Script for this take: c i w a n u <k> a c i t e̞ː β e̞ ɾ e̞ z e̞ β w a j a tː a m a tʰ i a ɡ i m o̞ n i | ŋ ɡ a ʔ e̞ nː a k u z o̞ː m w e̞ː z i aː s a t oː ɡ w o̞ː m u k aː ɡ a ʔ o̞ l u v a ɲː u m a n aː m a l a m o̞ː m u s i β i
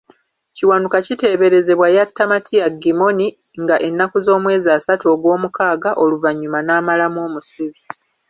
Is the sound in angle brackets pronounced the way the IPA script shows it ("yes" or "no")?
yes